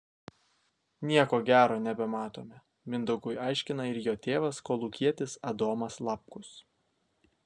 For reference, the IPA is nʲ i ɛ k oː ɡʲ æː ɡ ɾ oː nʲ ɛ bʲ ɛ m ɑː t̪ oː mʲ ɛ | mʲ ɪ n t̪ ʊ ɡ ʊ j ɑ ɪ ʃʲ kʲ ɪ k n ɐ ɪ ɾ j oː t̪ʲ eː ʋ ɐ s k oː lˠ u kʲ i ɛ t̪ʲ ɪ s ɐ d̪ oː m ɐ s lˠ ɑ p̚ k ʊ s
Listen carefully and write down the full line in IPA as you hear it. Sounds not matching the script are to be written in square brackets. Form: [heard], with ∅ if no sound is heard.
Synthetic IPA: nʲ i ɛ k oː ɡʲ æː [∅] ɾ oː nʲ ɛ bʲ ɛ m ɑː t̪ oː mʲ ɛ | mʲ ɪ n [d̪] ʊ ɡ ʊ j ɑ ɪ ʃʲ kʲ ɪ [∅] n ɐ ɪ ɾ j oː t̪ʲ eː ʋ ɐ s k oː lˠ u kʲ i ɛ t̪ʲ ɪ s ɐ d̪ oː m ɐ s lˠ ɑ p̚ k ʊ s

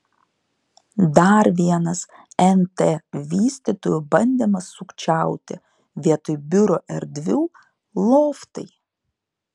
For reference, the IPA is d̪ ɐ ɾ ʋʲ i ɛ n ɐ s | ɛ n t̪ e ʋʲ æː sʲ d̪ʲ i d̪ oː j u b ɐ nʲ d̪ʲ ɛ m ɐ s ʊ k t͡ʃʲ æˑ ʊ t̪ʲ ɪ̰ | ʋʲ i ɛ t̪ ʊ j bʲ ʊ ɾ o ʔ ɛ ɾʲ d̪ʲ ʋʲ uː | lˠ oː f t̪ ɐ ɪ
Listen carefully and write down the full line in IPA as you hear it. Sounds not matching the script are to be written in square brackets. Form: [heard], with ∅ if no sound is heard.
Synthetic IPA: d̪ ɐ ɾ ʋʲ i ɛ n ɐ s | ɛ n t̪ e ʋʲ [iː] sʲ [t̪ʲ] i [t̪] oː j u b ɐ nʲ d̪ʲ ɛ m ɐ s ʊ k t͡ʃʲ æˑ ʊ t̪ʲ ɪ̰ | ʋʲ i ɛ t̪ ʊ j bʲ ʊ ɾ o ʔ ɛ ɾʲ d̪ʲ ʋʲ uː | lˠ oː f t̪ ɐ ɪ

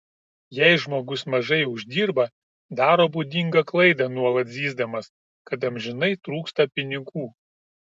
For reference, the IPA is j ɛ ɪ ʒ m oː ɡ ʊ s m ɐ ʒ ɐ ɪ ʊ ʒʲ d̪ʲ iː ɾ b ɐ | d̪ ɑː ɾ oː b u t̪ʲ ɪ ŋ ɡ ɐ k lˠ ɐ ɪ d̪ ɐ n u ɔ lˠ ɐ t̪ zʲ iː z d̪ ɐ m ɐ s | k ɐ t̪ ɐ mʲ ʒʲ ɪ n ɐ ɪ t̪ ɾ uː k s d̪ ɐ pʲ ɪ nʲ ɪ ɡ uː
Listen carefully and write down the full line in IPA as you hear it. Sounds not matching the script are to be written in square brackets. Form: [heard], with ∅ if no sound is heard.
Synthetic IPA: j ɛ ɪ ʒ m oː ɡ ʊ s m ɐ ʒ ɐ ɪ ʊ ʒʲ d̪ʲ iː ɾ b ɐ | d̪ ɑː ɾ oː b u [d̪ʲ] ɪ ŋ ɡ ɐ k lˠ ɐ ɪ d̪ ɐ n u ɔ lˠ ɐ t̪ zʲ iː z d̪ ɐ m ɐ s | k ɐ t̪ ɐ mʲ ʒʲ ɪ n ɐ ɪ t̪ ɾ uː k s [t̪] ɐ pʲ ɪ nʲ ɪ ɡ uː

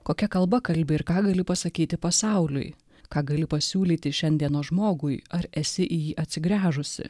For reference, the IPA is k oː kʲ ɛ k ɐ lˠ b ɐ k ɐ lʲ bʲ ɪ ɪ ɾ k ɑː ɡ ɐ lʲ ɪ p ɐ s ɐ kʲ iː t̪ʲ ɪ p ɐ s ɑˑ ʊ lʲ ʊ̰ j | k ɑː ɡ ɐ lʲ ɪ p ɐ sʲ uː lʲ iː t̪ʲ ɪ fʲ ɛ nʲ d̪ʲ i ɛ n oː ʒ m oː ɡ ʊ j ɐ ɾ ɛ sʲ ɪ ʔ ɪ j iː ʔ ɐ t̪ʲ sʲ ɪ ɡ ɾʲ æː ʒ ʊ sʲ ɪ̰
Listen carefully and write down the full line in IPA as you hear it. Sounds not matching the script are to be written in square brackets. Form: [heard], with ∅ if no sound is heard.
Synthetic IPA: k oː kʲ ɛ k ɐ lˠ b ɐ k ɐ lʲ bʲ ɪ ɪ ɾ k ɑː ɡ ɐ lʲ ɪ p ɐ s ɐ kʲ iː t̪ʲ ɪ p ɐ s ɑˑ ʊ lʲ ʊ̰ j | k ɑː ɡ ɐ lʲ ɪ p ɐ sʲ uː lʲ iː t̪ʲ ɪ [ʃʲ] ɛ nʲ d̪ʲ i ɛ n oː ʒ m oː ɡ ʊ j ɐ ɾ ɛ sʲ ɪ ʔ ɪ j iː ʔ ɐ t̪ʲ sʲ ɪ ɡ ɾʲ æː ʒ ʊ sʲ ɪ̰

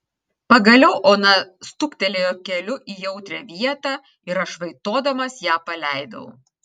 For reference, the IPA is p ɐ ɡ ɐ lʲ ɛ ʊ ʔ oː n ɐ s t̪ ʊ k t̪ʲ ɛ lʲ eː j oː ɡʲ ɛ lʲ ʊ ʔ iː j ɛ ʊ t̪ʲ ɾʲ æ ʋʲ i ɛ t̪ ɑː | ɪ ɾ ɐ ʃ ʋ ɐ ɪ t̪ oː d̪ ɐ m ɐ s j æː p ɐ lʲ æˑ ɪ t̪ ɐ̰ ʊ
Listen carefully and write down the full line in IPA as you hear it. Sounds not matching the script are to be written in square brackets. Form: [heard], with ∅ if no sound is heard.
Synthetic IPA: p ɐ ɡ ɐ lʲ ɛ ʊ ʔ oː n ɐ s t̪ ʊ k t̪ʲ ɛ lʲ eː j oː [kʲ] ɛ lʲ ʊ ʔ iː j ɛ ʊ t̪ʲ ɾʲ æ ʋʲ i ɛ t̪ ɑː | ɪ ɾ ɐ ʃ ʋ ɐ ɪ t̪ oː d̪ ɐ m ɐ s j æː p ɐ lʲ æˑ ɪ [d̪] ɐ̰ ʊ

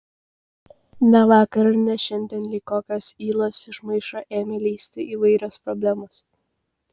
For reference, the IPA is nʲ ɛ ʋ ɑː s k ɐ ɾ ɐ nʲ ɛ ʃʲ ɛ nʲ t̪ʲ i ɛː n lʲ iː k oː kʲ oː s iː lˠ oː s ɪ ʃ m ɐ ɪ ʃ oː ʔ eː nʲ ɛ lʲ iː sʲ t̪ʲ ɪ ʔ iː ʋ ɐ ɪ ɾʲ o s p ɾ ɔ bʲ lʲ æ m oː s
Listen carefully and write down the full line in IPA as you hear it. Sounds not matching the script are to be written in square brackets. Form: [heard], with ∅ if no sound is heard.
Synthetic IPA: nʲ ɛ ʋ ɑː [∅] k ɐ ɾ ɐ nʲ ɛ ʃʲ ɛ nʲ [d̪ʲ] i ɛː n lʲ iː k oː kʲ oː s iː lˠ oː s ɪ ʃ m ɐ ɪ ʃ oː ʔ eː [mʲ] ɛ lʲ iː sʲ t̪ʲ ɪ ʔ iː ʋ ɐ ɪ ɾʲ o s p ɾ ɔ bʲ lʲ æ m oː s

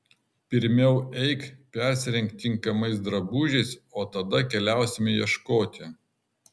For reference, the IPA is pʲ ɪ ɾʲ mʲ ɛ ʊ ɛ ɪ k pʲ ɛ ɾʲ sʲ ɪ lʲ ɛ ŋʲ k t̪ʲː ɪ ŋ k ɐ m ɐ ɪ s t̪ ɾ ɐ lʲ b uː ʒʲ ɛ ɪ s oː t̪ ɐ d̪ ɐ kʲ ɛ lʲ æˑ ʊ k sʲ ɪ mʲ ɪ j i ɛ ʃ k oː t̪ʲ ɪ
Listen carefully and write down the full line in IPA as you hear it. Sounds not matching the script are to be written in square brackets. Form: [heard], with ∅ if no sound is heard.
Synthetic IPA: pʲ ɪ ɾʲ mʲ ɛ ʊ ɛ ɪ k pʲ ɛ ɾʲ sʲ ɪ [ɾʲ] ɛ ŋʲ k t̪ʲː ɪ ŋ k ɐ m ɐ ɪ s [d̪] ɾ ɐ [∅] b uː ʒʲ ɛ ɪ s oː t̪ ɐ d̪ ɐ kʲ ɛ lʲ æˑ ʊ [∅] sʲ ɪ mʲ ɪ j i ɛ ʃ k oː t̪ʲ ɪ

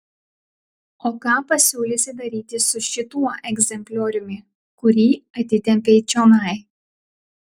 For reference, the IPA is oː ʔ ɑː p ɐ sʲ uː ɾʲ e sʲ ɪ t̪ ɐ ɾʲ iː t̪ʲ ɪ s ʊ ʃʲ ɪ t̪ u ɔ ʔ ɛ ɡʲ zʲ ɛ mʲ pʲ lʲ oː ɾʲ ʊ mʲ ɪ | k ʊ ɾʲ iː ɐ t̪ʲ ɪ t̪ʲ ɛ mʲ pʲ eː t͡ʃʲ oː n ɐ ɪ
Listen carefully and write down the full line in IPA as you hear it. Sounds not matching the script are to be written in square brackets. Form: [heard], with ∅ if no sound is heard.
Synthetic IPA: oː [k] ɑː p ɐ sʲ uː [lʲ] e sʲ ɪ [d̪] ɐ ɾʲ iː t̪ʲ ɪ s ʊ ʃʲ ɪ t̪ u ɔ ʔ ɛ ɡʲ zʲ ɛ mʲ pʲ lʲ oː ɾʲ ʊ mʲ ɪ | k ʊ ɾʲ iː ɐ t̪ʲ ɪ t̪ʲ ɛ mʲ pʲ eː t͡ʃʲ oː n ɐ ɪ

